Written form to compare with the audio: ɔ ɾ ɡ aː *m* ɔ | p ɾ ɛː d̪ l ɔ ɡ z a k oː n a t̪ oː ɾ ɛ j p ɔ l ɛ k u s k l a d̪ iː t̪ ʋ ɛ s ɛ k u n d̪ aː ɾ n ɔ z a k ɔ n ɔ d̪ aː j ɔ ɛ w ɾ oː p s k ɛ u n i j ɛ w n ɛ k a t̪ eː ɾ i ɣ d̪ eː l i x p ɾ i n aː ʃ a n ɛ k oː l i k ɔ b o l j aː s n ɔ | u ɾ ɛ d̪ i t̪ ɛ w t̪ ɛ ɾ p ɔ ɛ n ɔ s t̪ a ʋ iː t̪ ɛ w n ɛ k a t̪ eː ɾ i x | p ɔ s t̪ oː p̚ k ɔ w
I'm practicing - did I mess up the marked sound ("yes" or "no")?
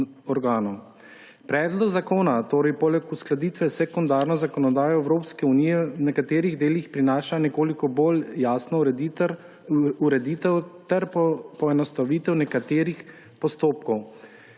yes